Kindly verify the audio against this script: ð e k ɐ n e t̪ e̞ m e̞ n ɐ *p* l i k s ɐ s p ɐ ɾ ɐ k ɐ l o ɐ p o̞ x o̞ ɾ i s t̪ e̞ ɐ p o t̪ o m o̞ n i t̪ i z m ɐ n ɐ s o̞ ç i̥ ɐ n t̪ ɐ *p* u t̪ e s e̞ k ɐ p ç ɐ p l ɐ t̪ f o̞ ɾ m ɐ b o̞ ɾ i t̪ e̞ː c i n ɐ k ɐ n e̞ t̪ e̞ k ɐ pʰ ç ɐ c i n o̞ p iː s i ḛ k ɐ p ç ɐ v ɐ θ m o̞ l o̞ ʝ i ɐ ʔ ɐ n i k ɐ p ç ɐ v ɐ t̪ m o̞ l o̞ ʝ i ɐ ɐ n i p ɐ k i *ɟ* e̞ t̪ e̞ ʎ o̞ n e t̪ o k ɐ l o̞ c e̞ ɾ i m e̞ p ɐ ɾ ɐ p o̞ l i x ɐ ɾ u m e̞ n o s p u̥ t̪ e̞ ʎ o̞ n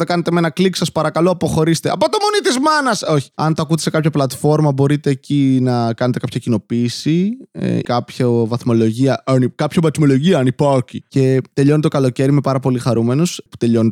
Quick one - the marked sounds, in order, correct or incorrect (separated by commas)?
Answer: incorrect, incorrect, incorrect